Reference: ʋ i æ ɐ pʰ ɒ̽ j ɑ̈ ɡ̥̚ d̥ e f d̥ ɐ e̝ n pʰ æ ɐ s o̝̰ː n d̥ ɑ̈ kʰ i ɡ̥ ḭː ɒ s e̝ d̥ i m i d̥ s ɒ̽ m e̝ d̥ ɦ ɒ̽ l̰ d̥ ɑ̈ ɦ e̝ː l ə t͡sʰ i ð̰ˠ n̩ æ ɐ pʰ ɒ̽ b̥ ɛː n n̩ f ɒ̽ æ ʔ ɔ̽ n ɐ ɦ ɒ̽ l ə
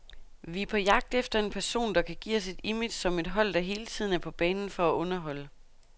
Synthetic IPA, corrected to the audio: ʋ i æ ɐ pʰ ɒ̽ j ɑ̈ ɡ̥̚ d̥ e f d̥ ɐ e̝ n pʰ æ ɐ s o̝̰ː n d̥ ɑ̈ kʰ æ ɡ̥ ḭː ɒ s e̝ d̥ i m i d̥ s ɒ̽ m e̝ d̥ ɦ ɒ̽ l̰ d̥ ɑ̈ ɦ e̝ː l ə t͡sʰ i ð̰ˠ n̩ æ ɐ pʰ ɒ̽ b̥ ɛː n n̩ f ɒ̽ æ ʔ ɔ̽ n ɐ ɦ ɒ̽ l ə